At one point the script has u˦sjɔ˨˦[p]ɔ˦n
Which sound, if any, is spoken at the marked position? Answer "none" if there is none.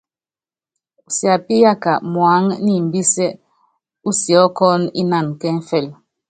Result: k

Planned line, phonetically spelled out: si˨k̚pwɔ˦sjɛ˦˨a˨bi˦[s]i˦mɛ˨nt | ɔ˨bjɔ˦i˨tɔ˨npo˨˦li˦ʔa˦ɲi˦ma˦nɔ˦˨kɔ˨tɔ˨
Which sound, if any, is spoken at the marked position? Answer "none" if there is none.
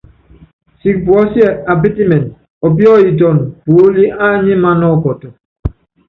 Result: t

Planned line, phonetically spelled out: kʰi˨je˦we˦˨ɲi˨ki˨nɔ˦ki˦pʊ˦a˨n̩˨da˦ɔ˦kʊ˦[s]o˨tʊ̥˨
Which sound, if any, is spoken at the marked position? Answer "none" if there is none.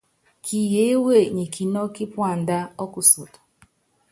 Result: s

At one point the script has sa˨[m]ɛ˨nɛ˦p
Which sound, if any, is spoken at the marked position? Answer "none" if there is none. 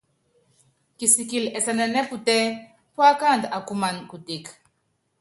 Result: n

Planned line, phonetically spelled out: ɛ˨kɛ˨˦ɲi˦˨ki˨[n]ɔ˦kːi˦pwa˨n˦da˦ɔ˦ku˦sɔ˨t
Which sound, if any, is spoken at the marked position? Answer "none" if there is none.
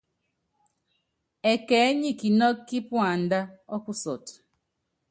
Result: n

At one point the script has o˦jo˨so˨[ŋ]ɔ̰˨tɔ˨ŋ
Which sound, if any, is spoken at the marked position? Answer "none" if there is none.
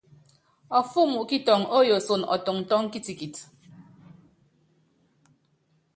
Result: n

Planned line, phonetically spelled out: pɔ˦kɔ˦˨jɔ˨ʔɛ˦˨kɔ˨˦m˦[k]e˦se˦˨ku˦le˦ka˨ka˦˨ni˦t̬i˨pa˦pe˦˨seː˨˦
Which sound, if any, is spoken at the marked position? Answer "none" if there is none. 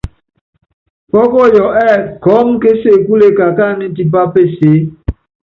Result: k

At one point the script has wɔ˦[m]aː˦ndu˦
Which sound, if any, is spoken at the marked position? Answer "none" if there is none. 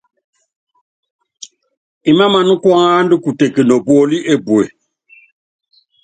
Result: ŋ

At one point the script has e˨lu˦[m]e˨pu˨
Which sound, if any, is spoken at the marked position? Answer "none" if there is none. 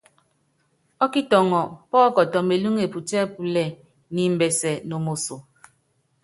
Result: ŋ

